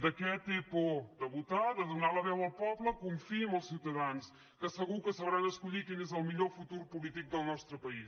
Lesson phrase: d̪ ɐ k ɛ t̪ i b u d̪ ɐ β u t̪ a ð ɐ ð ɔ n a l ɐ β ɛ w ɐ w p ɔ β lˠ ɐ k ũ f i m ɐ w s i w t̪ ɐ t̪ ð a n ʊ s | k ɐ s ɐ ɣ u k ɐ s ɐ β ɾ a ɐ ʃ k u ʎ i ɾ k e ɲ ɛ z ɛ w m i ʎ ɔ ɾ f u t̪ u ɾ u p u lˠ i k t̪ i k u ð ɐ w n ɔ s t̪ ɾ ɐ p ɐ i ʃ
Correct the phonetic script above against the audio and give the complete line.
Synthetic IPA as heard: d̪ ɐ k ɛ t̪ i p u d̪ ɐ β u t̪ a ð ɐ ð u n a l ɐ β ɛ w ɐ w p ɔ β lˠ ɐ k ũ f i m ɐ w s i w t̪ ɐ ð a n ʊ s | k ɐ s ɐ ɣ u k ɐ s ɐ β ɾ a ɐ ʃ k u ʎ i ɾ k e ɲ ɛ z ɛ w m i ʎ ɔ ɾ f u t̪ u ɾ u p u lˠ i t̪ i k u ð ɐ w n ɔ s t̪ ɾ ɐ p ɐ i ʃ